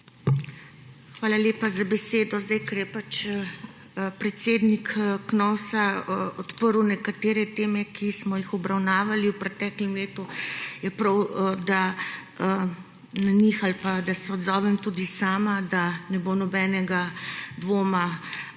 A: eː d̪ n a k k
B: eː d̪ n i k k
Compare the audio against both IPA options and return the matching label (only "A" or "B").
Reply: B